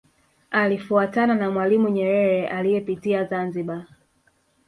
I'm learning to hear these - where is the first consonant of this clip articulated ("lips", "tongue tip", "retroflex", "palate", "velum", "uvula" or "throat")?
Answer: tongue tip